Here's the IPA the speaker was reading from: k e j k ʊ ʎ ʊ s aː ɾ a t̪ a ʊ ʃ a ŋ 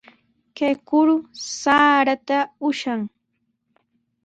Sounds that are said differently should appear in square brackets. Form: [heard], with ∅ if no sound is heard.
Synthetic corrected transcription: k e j k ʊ [ɾ] ʊ s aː ɾ a t̪ a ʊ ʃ a ŋ